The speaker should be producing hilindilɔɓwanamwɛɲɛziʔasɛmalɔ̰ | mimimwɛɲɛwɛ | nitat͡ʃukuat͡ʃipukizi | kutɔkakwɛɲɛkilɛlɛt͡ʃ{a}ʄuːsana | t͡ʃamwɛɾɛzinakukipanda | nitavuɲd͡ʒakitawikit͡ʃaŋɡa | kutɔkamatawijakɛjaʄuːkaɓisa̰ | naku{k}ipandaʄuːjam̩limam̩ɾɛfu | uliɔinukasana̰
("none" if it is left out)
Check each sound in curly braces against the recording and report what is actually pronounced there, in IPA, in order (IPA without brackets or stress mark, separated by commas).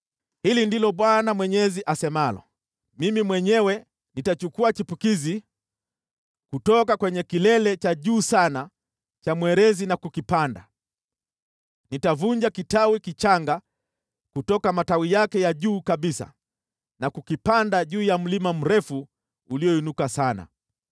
a, k